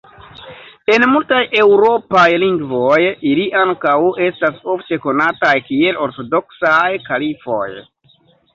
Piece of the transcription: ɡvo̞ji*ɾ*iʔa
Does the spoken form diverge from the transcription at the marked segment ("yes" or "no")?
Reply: yes